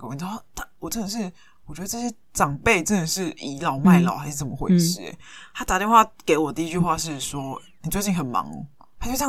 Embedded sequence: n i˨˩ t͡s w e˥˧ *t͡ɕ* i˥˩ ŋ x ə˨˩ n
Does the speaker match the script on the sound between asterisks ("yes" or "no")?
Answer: yes